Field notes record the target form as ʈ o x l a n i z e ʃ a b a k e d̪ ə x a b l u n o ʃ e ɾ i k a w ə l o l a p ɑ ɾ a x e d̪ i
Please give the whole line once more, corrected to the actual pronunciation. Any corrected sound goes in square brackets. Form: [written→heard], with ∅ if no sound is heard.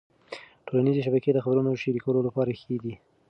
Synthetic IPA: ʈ o [x→∅] l a n i z e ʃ a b a k e d̪ ə x a b [l→ɾ] u n o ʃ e ɾ i k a w ə l o l a p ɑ ɾ a x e d̪ i